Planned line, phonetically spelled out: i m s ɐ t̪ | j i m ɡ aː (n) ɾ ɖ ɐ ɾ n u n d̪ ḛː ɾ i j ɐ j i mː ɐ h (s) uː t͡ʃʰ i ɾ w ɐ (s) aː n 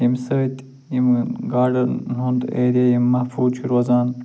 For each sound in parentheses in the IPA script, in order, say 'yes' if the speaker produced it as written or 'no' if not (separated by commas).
no, no, no